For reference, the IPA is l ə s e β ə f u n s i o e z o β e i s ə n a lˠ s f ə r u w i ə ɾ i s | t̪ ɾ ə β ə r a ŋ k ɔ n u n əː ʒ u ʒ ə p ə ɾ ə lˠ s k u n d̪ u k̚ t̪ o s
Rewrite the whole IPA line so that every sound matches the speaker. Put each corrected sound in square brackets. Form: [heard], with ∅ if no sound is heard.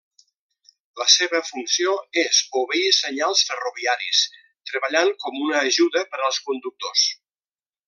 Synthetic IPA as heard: l ə s e β ə f u n s i o e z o β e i s ə [ɲ] a lˠ s f ə r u [β] i [a] ɾ i s | t̪ ɾ ə β ə [ʎ] a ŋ k ɔ [m] u n əː ʒ u [ð] ə p ə ɾ ə lˠ s k u n d̪ u k̚ t̪ o s